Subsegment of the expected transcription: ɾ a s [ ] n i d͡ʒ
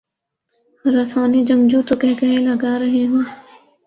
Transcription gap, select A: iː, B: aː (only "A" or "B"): B